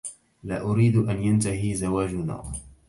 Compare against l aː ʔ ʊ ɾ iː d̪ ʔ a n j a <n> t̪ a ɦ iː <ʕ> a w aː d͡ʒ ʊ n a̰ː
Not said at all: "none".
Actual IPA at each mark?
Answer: n, z

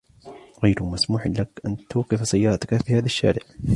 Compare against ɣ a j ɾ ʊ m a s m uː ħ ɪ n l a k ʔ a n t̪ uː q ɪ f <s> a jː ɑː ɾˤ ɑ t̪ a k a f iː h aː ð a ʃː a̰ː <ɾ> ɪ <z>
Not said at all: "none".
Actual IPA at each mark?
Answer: s, ɾ, ʕ

